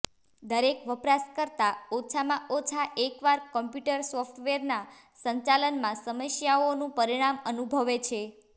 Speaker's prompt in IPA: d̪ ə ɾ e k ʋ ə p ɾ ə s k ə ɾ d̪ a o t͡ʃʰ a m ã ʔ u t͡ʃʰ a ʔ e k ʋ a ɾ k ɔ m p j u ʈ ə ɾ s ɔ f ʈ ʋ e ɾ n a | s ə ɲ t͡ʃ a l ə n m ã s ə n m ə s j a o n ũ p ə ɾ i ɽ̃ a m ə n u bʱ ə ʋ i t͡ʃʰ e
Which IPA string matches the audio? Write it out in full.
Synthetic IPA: d̪ ə ɾ e k ʋ ə p ɾ a s k ə ɾ t̪ a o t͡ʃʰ a m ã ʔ o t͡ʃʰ a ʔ e k ʋ a ɾ k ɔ m p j u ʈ ə ɾ s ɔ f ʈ ʋ e ɾ n a | s ə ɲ t͡ʃ a l ə n m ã s ə m ə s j a o n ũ p ə ɾ i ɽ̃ a m ə n u bʱ ə ʋ e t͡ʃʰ e